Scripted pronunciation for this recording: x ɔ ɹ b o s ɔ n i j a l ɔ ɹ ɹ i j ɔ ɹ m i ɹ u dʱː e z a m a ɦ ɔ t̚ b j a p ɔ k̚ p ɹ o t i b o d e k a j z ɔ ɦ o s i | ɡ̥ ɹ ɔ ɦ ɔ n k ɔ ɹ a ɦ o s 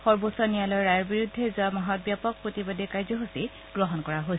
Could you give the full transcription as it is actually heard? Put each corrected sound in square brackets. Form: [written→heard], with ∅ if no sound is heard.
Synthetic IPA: x ɔ ɹ b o s ɔ n i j a l ɔ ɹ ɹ [i→a] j ɔ ɹ [m→b] i ɹ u dʱː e z a m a ɦ ɔ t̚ b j a p ɔ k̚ p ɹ o t i b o d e k a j z ɔ ɦ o s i | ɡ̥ ɹ ɔ ɦ ɔ n k ɔ ɹ a ɦ o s